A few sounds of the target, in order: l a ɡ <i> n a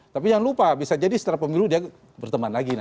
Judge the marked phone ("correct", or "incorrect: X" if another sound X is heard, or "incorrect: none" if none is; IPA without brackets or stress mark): correct